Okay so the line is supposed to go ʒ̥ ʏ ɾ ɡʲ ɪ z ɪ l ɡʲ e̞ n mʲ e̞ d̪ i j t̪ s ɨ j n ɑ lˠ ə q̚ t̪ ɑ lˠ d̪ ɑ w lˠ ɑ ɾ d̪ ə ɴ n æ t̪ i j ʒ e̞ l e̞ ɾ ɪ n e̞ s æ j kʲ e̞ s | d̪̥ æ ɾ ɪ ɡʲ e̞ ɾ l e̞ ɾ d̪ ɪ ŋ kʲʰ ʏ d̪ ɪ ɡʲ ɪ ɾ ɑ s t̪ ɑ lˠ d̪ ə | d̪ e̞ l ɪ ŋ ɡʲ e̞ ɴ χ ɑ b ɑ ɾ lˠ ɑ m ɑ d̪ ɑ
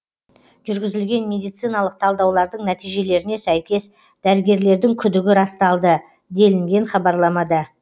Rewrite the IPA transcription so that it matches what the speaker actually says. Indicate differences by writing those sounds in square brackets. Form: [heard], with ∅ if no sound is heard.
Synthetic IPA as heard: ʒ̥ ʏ ɾ ɡʲ ɪ z ɪ l ɡʲ e̞ n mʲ e̞ d̪ i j t̪ s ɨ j n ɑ lˠ ə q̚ [t̪ʰ] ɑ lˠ d̪ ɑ w lˠ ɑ ɾ d̪ ə ɴ n æ t̪ i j ʒ e̞ l e̞ ɾ ɪ n e̞ s æ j kʲ e̞ s | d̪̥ æ ɾ ɪ ɡʲ e̞ ɾ l e̞ ɾ d̪ ɪ ŋ kʲʰ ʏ d̪ ɪ ɡʲ ɪ ɾ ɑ s t̪ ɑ lˠ d̪ ə | d̪ e̞ l ɪ ŋ ɡʲ e̞ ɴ χ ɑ b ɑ ɾ lˠ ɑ m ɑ d̪ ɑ